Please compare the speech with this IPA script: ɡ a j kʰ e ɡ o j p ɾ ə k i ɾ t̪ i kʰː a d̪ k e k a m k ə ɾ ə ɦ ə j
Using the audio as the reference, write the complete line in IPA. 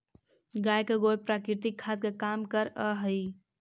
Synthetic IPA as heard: ɡ a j k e ɡ o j p ɾ a k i ɾ t̪ i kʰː a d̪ k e k a m k ə ɾ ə ɦ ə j